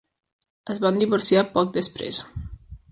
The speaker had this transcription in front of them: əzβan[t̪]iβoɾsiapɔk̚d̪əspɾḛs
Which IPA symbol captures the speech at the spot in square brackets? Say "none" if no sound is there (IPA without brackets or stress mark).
d̪